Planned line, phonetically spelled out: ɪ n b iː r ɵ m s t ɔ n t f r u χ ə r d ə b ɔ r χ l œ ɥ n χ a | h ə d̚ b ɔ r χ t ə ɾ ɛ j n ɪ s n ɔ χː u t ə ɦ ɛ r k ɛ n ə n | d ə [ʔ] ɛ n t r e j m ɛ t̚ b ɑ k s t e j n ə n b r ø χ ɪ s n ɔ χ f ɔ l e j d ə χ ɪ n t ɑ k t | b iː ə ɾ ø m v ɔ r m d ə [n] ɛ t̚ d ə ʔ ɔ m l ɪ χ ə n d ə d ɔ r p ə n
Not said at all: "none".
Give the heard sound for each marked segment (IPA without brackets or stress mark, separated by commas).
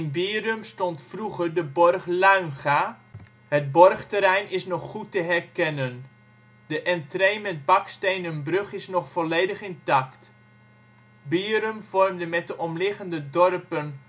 ʔ, m